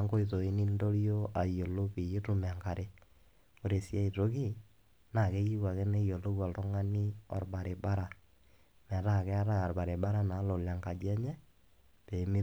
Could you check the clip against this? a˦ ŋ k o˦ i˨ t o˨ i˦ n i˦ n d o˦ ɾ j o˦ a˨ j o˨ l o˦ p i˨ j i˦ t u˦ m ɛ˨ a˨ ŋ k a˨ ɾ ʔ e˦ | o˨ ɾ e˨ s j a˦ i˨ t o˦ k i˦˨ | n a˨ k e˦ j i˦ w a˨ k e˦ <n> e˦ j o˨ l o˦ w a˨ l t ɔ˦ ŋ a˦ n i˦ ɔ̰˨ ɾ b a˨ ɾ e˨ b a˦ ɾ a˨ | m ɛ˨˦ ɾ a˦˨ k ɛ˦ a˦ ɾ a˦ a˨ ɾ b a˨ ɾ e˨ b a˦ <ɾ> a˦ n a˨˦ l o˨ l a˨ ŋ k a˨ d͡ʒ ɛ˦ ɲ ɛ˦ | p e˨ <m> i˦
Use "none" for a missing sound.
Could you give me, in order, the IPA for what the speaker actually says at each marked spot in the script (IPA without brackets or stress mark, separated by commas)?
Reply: n, ɾ, m